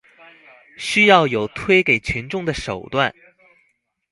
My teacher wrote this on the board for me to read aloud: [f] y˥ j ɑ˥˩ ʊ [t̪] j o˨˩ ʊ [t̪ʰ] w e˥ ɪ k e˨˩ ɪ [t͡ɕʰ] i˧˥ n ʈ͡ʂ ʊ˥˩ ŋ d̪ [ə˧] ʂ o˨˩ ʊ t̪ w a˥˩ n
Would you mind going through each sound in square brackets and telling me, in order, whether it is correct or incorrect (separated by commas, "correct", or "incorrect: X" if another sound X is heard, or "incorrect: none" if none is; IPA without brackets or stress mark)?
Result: incorrect: ɕ, incorrect: none, correct, correct, incorrect: ə˩